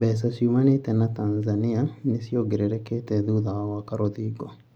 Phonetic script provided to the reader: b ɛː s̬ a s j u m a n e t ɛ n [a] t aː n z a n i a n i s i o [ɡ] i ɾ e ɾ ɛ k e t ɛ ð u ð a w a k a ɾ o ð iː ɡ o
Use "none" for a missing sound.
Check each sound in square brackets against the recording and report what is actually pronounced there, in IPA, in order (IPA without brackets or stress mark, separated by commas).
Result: a, ɡ